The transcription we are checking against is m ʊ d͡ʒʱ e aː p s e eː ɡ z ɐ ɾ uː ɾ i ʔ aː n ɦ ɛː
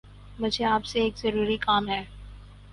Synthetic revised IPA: m ʊ d͡ʒʱ e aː p s e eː k z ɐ ɾ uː ɾ i k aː m ɦ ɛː